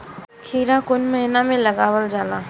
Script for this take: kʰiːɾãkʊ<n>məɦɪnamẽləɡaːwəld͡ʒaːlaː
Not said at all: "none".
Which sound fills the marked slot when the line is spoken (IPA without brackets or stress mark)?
n